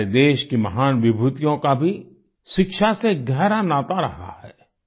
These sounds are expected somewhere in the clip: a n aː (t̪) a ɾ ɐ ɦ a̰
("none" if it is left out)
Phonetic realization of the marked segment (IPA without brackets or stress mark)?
t̪